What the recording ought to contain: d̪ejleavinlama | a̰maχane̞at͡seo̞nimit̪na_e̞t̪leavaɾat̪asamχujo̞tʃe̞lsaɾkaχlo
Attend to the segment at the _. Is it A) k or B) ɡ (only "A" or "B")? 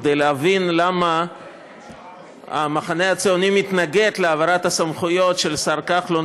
B